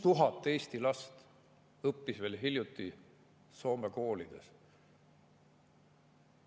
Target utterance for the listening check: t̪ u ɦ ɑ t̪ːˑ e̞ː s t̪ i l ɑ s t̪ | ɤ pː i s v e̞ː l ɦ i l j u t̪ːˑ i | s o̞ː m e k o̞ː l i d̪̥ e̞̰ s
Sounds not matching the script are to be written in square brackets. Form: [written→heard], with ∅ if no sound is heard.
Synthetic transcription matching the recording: t̪ u ɦ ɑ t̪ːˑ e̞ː s t̪ i l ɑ s t̪ | ɤ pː i s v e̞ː l ɦ i l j u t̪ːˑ i | s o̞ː m e k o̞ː l i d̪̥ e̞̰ s

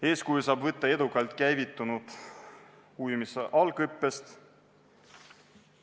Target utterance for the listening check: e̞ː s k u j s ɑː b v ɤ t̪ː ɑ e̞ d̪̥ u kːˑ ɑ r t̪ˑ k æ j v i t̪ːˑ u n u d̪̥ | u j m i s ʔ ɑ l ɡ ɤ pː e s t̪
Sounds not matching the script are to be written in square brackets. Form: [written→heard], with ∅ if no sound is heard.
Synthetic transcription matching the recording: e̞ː s k u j s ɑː b v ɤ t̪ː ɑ e̞ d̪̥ u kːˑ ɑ [r→l] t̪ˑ k æ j v i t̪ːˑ u n u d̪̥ | u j m i s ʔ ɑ l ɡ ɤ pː e s t̪

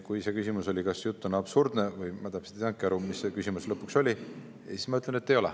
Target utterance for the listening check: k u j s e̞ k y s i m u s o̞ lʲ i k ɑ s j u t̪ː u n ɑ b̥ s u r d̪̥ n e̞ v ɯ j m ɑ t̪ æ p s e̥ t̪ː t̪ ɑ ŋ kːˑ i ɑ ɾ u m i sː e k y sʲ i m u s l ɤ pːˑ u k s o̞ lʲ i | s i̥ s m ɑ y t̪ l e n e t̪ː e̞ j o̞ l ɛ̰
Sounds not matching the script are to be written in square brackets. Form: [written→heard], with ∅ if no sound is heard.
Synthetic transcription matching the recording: k u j s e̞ k y s i m u s o̞ lʲ i k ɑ s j u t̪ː u n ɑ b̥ s u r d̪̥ n e̞ v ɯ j m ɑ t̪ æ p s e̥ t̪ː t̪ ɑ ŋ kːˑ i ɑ ɾ u m i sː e k y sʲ i m u s l ɤ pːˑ u k s o̞ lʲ i | s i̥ s m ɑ y t̪ l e n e t̪ː e̞ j o̞ l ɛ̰

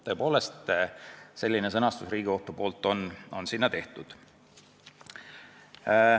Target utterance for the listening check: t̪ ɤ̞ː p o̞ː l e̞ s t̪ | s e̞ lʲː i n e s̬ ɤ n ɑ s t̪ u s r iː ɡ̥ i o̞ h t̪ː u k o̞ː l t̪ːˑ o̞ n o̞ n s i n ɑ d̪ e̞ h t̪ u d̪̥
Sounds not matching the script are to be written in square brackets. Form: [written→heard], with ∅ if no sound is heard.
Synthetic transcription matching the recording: t̪ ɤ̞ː p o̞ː l e̞ s t̪ | s e̞ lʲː i n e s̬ ɤ n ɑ s t̪ u s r iː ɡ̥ i o̞ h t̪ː u [k→p] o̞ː l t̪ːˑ o̞ n o̞ n s i [n→nː] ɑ [d̪→t̪] e̞ h t̪ u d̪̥

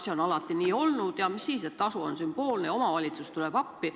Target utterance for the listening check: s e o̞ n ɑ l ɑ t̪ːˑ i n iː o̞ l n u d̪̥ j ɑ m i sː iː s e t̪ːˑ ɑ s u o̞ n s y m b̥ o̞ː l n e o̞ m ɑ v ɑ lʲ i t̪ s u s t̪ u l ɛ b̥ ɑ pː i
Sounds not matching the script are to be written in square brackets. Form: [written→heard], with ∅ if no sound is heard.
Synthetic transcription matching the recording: s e o̞ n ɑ l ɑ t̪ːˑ i n iː o̞ l n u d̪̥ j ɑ m i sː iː s e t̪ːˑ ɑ s u o̞ n s y m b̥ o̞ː l n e o̞ m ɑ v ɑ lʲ i t̪ s u s t̪ u l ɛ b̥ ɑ pː i

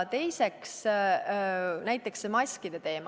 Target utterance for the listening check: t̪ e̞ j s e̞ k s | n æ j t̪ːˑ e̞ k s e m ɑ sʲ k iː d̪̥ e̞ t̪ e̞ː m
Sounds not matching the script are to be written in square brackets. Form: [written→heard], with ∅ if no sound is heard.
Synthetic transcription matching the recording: t̪ e̞ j s e̞ k s | n æ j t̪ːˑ e̞ k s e m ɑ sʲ k [iː→i] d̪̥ e̞ t̪ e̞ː m

